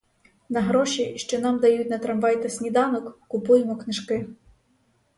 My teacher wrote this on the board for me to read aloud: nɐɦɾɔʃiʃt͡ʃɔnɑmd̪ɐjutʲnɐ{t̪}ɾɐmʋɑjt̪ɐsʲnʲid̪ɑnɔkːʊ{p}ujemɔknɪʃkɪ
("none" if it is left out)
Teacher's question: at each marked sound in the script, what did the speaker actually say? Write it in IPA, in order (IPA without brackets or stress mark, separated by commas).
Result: t̪, p